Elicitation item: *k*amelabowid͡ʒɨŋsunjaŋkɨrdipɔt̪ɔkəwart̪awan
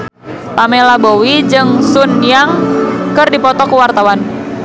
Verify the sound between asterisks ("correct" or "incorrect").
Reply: incorrect